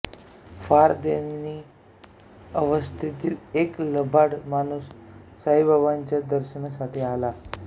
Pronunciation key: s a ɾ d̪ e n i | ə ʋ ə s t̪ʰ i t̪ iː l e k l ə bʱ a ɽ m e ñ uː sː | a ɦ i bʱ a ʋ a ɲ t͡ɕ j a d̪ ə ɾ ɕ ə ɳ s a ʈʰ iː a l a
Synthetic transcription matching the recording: f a ɾ d̪ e n i | ə ʋ ə s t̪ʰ i t̪ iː l e k l ə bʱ a ɽ m a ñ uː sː | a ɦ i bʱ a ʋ a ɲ t͡ɕ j a d̪ ə ɾ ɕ ə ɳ s a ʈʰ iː a l a